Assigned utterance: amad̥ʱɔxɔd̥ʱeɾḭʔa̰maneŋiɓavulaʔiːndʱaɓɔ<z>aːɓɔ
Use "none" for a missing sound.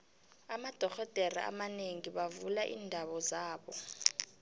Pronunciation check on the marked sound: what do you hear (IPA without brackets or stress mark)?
z